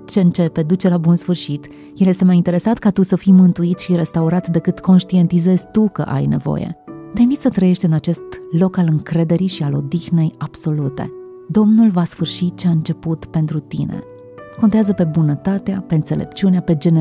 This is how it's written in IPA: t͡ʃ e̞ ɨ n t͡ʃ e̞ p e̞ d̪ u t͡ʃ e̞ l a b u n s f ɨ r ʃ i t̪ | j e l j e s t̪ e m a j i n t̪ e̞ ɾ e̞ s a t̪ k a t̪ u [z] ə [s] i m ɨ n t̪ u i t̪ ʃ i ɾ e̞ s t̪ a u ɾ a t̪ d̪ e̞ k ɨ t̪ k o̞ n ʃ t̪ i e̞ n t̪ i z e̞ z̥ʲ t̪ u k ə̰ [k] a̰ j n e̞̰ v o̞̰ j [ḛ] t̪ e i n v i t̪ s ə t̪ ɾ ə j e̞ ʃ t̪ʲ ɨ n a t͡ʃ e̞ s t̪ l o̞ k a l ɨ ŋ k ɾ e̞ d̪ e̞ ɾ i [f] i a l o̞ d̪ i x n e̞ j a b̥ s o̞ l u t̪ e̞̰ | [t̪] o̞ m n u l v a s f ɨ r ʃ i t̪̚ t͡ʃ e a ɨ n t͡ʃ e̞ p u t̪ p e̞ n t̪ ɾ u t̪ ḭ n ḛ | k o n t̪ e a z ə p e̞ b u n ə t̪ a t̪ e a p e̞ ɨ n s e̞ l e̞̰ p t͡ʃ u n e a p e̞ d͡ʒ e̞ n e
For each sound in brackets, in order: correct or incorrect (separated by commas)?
incorrect, incorrect, incorrect, correct, incorrect, incorrect